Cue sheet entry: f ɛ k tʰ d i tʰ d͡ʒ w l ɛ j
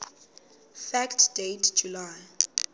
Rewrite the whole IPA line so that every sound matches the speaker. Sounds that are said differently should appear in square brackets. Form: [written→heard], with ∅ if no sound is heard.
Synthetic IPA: f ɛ k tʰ d [i→e] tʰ d͡ʒ [w→u] l [ɛ→a] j

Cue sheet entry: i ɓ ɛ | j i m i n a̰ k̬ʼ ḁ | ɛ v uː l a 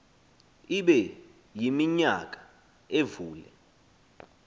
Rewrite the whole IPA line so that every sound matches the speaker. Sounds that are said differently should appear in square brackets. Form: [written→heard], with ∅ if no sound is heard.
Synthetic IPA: i ɓ ɛ | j i m i [n→ɲ] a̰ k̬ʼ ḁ | [ɛ→e] v uː l [a→ɛ]

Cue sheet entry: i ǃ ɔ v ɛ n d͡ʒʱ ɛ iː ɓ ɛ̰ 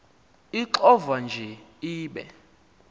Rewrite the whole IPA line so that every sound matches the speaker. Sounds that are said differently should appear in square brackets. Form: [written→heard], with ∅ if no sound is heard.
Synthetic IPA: i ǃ ɔ v [ɛ→a] n d͡ʒʱ ɛ iː ɓ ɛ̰

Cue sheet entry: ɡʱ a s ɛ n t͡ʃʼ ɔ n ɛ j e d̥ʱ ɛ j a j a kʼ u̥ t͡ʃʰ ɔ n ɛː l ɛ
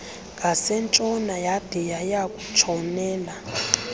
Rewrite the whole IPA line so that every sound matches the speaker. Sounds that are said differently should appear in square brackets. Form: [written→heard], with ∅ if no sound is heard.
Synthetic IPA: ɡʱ a s ɛ n t͡ʃʼ ɔ n [ɛ→a] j [e→a] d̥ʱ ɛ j a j a kʼ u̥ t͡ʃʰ ɔ n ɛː l [ɛ→a]

